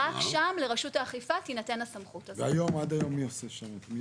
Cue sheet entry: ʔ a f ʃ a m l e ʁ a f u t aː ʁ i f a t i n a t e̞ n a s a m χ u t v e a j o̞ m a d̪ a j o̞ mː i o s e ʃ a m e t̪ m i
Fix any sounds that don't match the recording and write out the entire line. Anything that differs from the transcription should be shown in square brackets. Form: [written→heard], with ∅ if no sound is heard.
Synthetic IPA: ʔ a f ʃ a m l e ʁ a [f→ʃ] u t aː [ʁ→χ] i f a t i n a t e̞ n a s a m χ u t v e a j o̞ m a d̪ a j o̞ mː i o s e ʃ a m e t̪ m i